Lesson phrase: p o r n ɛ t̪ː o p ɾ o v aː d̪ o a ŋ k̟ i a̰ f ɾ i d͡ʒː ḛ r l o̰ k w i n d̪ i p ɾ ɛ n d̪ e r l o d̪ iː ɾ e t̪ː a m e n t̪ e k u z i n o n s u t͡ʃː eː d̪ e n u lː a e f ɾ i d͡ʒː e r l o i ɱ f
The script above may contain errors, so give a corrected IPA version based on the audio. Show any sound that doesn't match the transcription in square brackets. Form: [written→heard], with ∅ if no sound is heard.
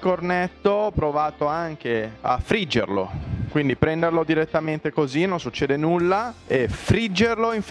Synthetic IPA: [p→k] o r n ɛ t̪ː o p ɾ o v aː [d̪→t̪] o a ŋ k̟ [i→e] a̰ f ɾ i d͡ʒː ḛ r l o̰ k w i n d̪ i p ɾ ɛ n d̪ e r l o d̪ [iː→i] ɾ e t̪ː a m e n t̪ e k [u→o] z i n o n s u t͡ʃː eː d̪ e n u lː a e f ɾ i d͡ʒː e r l o i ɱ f